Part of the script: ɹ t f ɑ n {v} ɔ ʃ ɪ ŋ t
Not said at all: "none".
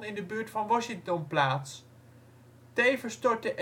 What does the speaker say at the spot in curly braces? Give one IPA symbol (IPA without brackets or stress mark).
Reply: ʋ